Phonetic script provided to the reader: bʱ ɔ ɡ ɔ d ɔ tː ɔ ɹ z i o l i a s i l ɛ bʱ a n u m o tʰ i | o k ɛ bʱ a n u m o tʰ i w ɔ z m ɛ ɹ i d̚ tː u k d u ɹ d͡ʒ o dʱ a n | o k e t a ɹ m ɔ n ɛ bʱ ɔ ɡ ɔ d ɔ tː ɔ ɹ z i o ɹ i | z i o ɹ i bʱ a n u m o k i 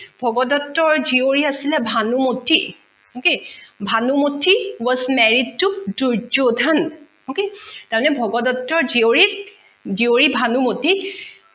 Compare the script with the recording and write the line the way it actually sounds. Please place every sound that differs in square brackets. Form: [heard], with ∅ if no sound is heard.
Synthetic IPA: bʱ ɔ ɡ ɔ d ɔ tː ɔ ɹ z i o [ɹ] i a s i l ɛ bʱ a n u m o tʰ i | o k [e] bʱ a n u m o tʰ i w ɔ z m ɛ ɹ i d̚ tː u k d u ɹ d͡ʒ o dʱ a n | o k e t a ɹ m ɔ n ɛ bʱ ɔ ɡ ɔ d ɔ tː ɔ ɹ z i o ɹ i | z i o ɹ i bʱ a n u m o [t] i